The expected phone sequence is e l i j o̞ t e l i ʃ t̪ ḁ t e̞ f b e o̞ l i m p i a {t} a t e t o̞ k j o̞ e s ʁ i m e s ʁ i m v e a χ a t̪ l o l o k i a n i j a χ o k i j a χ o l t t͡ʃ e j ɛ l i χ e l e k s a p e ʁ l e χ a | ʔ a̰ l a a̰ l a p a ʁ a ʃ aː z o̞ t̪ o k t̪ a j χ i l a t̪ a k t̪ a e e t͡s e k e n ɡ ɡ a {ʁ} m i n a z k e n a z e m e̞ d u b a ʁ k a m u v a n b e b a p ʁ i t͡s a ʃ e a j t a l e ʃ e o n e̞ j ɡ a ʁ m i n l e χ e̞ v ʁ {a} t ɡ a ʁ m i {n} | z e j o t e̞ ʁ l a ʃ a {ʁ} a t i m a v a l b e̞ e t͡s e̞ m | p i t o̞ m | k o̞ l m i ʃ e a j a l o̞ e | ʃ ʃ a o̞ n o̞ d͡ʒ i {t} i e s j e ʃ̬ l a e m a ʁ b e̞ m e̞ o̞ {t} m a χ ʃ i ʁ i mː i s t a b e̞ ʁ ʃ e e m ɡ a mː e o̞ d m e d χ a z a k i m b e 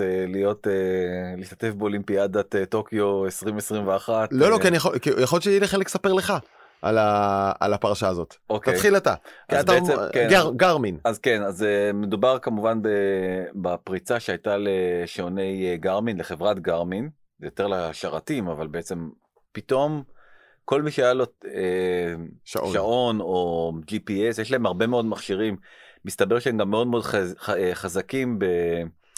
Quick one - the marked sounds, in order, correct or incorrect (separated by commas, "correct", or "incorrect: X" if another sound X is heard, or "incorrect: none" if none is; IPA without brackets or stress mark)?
incorrect: d, correct, correct, correct, correct, incorrect: p, incorrect: d